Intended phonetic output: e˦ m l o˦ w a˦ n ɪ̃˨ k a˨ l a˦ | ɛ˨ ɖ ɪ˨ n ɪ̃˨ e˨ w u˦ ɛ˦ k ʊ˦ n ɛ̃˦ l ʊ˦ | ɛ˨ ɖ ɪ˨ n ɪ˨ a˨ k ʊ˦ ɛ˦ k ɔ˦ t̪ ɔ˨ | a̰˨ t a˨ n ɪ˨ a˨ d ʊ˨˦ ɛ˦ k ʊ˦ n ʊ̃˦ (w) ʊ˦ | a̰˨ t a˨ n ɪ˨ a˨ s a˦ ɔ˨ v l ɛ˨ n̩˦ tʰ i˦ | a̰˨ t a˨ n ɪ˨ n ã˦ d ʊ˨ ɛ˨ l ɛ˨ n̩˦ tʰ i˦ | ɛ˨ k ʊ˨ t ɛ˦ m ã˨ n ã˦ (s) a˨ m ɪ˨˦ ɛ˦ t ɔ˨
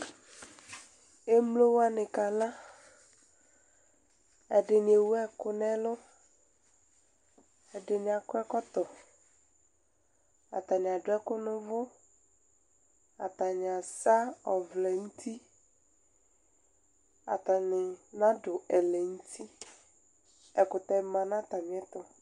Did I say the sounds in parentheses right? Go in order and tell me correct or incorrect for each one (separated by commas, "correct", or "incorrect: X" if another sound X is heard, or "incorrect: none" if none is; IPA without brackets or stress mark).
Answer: incorrect: v, incorrect: t